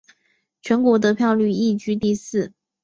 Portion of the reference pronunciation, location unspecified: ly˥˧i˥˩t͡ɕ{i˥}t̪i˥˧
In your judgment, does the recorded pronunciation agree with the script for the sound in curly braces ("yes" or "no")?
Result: no